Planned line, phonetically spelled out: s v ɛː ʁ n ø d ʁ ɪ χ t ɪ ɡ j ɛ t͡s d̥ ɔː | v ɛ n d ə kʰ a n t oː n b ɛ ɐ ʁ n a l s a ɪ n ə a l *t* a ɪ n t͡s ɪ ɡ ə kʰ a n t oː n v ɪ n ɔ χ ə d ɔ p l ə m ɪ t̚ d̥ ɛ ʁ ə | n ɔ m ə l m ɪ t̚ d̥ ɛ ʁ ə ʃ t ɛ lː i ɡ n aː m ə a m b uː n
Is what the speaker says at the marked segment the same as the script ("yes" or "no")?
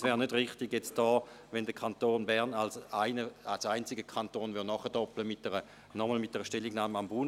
no